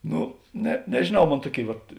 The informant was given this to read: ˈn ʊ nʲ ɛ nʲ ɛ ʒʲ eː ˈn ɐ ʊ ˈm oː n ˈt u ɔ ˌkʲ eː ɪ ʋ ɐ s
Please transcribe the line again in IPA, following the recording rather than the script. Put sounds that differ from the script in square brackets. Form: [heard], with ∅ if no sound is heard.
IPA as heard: ˈn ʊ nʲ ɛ nʲ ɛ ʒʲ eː ˈn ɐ ʊ ˈm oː n ˈt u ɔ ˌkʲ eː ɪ ʋ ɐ [t]